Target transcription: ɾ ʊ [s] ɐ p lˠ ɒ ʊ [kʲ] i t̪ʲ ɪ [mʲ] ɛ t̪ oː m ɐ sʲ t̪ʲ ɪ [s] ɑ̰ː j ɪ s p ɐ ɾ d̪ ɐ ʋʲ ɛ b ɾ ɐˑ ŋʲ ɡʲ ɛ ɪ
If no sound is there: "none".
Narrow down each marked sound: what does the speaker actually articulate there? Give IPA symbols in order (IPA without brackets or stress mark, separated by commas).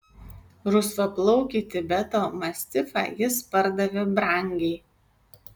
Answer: s, kʲ, bʲ, f